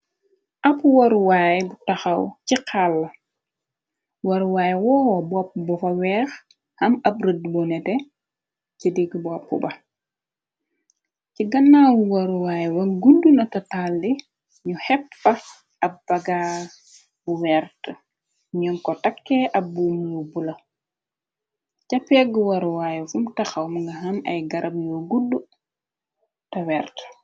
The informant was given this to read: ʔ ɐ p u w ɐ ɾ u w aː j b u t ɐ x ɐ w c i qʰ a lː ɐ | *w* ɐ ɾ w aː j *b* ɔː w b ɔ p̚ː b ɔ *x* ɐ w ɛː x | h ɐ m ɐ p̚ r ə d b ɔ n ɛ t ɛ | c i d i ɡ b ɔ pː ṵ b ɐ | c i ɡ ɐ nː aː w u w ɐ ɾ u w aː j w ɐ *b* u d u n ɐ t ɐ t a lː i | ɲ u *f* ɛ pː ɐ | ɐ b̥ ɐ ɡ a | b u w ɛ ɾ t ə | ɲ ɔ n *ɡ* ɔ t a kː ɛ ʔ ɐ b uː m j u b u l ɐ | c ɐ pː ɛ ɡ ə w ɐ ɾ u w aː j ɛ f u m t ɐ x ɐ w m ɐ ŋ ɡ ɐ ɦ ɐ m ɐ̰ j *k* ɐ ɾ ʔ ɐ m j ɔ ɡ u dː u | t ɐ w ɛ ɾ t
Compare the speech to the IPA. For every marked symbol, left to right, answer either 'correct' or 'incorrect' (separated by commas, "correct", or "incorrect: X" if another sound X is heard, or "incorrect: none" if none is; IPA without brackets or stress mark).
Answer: correct, incorrect: w, incorrect: f, incorrect: ɡ, incorrect: h, incorrect: k, incorrect: ɡ